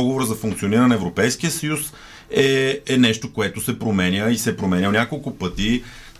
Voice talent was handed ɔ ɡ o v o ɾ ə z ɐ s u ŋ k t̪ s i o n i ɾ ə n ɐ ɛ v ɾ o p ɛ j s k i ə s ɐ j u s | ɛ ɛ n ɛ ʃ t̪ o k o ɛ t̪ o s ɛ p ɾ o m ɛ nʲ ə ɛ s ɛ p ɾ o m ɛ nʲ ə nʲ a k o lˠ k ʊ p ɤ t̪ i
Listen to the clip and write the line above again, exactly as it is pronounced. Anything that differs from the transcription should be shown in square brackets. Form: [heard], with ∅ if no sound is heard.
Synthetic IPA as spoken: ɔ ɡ o v o ɾ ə z ɐ [f] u ŋ k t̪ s i o n i ɾ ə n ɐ ɛ v ɾ o p ɛ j s k i ə s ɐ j u s | ɛ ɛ n ɛ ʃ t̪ o k o ɛ t̪ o s ɛ p ɾ o m ɛ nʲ ə [i] s ɛ p ɾ o m ɛ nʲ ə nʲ a k o lˠ k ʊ p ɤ t̪ i